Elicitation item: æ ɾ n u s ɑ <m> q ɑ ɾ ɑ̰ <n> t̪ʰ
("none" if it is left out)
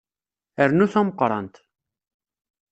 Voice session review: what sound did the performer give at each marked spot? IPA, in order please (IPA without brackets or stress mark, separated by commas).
m, n